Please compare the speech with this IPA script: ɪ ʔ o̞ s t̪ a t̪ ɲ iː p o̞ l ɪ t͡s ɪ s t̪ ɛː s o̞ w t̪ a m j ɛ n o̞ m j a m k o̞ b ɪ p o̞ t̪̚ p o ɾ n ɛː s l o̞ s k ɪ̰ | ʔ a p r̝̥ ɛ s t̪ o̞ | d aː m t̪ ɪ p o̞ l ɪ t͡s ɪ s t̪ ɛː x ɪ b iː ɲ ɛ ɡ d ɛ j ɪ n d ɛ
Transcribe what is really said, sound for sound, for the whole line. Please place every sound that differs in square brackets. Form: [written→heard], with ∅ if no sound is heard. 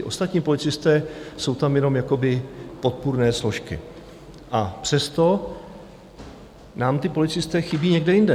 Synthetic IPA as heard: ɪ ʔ o̞ s t̪ a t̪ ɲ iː p o̞ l ɪ t͡s ɪ s t̪ ɛː s o̞ w t̪ a m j ɛ n o̞ m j a [m→∅] k o̞ b ɪ p o̞ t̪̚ p [o→u] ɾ n ɛː s l o̞ [s→ʃ] k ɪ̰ | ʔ a p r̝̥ ɛ s t̪ o̞ | [d→n] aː m t̪ ɪ p o̞ l ɪ t͡s ɪ s t̪ ɛː x ɪ b iː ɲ ɛ ɡ d ɛ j ɪ n d ɛ